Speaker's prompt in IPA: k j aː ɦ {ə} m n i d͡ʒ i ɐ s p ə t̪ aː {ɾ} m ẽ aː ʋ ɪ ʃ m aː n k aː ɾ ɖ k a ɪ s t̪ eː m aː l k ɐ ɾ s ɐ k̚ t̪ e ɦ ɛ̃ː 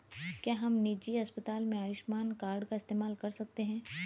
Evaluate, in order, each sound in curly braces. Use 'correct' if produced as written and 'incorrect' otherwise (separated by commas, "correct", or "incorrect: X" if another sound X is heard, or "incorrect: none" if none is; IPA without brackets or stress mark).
incorrect: ɐ, incorrect: l